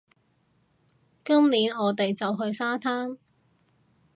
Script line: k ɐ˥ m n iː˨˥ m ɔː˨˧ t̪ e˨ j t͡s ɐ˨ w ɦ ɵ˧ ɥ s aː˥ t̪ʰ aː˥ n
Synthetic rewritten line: k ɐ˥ m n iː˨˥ n ɔː˨˧ t̪ e˨ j t͡s ɐ˨ w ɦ ɵ˧ ɥ s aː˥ t̪ʰ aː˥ n